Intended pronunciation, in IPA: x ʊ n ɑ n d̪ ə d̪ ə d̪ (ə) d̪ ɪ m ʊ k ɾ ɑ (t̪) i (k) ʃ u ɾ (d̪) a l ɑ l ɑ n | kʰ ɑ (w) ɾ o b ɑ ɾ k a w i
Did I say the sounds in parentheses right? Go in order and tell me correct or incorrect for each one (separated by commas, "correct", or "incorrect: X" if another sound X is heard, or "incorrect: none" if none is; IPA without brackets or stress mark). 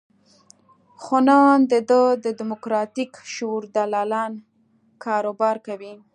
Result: correct, correct, correct, correct, incorrect: none